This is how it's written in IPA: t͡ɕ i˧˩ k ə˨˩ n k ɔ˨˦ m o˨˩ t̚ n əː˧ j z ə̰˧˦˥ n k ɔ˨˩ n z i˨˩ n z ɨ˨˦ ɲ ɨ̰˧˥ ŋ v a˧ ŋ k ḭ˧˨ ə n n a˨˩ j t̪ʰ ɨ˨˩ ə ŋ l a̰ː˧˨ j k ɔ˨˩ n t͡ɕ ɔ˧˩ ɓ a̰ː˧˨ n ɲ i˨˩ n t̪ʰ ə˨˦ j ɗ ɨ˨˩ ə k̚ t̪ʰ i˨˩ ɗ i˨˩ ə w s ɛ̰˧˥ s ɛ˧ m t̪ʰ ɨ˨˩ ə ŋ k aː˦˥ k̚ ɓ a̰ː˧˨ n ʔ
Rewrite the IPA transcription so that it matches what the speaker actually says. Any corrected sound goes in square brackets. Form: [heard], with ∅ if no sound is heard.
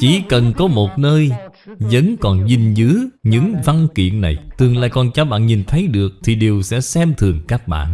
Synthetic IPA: t͡ɕ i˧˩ k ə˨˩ n k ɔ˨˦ m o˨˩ t̚ n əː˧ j z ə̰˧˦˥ n k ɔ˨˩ n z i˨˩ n z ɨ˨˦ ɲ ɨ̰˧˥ ŋ v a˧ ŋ k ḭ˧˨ ə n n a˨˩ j [t̪] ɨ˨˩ ə ŋ l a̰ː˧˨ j k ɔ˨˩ n t͡ɕ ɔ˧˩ ɓ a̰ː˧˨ n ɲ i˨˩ n t̪ʰ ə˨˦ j ɗ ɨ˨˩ ə k̚ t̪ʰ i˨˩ ɗ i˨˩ ə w s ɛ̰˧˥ s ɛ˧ m t̪ʰ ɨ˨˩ ə ŋ k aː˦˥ k̚ ɓ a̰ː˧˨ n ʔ